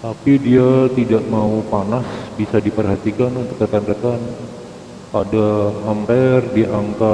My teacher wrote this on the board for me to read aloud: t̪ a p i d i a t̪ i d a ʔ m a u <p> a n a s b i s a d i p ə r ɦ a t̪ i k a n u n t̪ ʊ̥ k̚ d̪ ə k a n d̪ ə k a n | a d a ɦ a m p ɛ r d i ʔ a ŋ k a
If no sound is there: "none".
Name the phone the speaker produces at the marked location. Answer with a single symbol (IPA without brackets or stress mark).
p